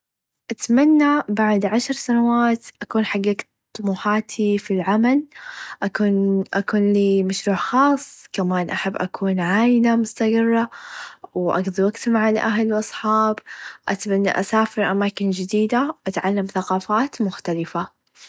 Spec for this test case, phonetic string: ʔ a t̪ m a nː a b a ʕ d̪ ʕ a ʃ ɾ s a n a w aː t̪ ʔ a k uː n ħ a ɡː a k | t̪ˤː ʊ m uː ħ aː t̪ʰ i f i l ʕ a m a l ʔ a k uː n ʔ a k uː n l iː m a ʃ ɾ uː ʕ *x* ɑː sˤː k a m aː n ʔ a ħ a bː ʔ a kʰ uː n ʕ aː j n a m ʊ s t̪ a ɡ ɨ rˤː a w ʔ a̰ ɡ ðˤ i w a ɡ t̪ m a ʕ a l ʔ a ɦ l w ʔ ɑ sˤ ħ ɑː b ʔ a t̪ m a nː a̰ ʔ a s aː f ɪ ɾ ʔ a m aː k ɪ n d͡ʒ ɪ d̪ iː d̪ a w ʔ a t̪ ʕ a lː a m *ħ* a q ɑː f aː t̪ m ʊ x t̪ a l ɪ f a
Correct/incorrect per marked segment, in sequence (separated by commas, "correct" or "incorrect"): correct, incorrect